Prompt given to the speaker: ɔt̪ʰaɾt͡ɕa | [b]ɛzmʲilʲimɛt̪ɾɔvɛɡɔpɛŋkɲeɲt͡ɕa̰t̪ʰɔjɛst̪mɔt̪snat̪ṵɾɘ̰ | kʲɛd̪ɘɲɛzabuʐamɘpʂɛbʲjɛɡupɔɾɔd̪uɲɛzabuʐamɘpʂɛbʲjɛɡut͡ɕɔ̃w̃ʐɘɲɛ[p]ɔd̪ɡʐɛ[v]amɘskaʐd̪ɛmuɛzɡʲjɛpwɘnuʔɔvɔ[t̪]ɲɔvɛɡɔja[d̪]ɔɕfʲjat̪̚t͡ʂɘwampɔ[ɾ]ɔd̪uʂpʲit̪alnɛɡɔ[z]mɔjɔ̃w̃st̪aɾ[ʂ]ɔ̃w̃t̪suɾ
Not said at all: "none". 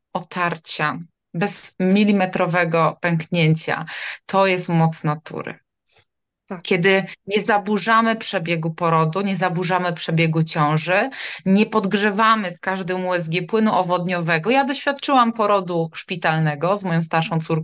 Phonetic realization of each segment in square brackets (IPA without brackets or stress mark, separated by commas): b, p, v, d̪, d̪, ɾ, z, ʂ